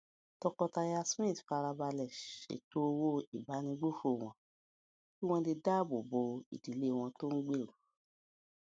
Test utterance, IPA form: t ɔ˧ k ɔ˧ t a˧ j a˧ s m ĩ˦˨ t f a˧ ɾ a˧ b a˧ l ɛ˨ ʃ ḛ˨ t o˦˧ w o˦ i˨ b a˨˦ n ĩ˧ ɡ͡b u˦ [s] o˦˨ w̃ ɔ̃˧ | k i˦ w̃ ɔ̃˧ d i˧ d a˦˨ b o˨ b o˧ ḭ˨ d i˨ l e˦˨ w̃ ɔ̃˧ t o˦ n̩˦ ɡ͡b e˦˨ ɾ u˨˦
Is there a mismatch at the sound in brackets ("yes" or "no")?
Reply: yes